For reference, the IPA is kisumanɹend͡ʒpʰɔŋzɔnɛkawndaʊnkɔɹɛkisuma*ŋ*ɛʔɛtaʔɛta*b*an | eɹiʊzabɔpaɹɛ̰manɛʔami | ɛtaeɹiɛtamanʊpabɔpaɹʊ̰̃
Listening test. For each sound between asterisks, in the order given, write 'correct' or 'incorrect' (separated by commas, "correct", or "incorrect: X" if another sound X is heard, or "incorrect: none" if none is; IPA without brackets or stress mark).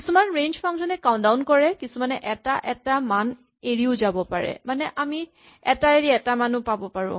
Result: incorrect: n, incorrect: m